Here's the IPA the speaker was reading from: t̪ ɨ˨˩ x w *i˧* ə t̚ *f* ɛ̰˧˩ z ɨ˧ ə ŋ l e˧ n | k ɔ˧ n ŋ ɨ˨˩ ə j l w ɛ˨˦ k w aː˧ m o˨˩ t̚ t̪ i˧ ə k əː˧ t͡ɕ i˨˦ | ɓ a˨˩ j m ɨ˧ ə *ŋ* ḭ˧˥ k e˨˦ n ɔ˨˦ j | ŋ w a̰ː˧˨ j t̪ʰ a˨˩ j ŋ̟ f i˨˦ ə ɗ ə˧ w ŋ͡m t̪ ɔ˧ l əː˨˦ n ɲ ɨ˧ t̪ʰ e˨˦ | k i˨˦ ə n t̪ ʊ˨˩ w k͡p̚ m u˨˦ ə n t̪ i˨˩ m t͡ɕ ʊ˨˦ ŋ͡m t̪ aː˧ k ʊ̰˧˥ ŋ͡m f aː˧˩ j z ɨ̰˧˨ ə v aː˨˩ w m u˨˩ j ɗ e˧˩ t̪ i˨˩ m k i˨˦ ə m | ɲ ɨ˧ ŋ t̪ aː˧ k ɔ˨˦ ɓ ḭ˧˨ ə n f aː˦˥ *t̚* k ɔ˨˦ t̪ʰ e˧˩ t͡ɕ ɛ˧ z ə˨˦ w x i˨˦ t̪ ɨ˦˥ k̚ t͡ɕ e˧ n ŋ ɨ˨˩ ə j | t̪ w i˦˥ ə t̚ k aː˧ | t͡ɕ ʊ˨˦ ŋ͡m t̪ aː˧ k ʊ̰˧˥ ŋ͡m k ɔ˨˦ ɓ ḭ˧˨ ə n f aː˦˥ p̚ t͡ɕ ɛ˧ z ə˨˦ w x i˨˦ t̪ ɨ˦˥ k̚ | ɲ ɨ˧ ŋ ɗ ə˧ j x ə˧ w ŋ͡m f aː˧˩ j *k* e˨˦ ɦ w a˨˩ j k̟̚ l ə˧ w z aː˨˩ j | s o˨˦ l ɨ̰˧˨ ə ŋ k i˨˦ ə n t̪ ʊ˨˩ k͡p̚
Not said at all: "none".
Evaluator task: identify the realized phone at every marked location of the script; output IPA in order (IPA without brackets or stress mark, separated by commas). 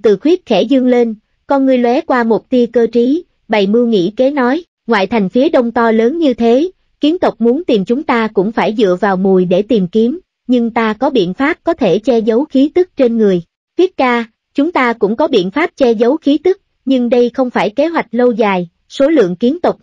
i˦˥, x, ŋ, p̚, k